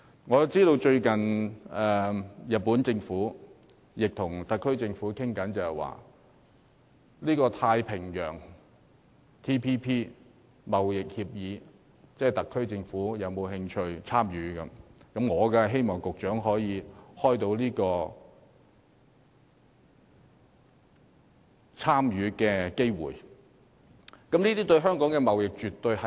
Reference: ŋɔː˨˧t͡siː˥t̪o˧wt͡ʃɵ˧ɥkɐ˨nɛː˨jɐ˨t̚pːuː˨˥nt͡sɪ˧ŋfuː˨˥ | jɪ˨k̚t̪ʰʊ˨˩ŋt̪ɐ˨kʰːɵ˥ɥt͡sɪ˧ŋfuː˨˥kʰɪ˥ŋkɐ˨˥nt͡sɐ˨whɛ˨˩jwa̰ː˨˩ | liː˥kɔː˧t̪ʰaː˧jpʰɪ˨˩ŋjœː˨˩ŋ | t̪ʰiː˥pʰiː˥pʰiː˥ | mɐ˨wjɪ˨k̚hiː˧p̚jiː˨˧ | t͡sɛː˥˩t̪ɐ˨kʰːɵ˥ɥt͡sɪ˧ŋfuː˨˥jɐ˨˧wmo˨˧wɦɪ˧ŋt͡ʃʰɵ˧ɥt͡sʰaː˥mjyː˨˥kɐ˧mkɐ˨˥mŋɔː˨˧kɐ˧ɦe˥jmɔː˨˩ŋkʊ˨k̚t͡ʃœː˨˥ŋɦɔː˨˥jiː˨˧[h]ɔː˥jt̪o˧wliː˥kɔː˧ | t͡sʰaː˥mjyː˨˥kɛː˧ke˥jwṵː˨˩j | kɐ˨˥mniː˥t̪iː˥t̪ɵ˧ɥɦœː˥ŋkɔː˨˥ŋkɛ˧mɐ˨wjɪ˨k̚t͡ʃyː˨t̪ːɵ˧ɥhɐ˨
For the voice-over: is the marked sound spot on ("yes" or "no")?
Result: yes